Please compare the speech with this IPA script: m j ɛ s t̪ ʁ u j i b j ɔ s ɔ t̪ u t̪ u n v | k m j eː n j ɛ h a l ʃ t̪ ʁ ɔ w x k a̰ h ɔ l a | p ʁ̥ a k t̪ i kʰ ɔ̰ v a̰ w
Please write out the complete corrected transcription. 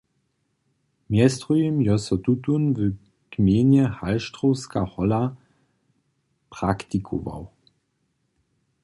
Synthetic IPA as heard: m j ɛ s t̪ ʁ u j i m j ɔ s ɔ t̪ u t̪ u n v | k m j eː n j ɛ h a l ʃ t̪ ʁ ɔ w s k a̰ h ɔ l a | p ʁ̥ a k t̪ i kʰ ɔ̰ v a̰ w